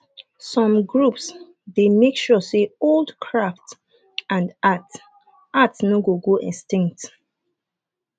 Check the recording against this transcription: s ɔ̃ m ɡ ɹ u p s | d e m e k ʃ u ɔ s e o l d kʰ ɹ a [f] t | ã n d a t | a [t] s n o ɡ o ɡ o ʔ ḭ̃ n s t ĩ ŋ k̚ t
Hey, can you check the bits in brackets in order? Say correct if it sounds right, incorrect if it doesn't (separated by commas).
correct, correct